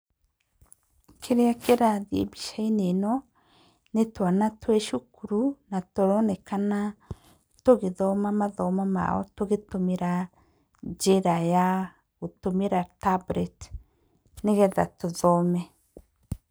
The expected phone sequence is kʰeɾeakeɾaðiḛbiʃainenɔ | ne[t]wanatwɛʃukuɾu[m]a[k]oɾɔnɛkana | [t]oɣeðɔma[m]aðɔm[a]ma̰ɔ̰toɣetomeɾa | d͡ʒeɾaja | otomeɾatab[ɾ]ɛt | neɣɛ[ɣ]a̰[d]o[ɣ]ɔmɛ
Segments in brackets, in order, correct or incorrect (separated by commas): correct, incorrect, incorrect, correct, correct, correct, correct, incorrect, incorrect, incorrect